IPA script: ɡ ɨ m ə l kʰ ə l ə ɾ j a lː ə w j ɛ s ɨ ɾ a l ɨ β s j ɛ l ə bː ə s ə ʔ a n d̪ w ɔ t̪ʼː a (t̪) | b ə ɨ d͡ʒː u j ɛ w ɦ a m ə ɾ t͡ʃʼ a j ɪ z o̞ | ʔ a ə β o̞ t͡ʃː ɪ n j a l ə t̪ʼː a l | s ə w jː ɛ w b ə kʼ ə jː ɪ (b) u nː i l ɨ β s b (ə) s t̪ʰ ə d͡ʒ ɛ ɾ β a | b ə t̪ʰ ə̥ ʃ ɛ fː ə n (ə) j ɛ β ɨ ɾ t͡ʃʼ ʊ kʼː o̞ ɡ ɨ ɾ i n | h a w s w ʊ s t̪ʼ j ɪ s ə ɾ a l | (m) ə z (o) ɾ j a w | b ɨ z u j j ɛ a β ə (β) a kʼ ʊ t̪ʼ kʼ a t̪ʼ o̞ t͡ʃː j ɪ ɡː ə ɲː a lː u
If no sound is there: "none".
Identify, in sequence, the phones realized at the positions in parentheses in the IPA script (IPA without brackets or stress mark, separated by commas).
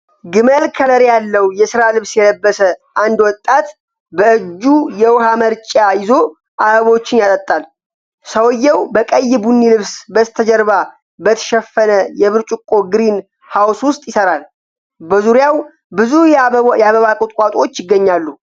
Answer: t̪, b, ə, ə, b, u, β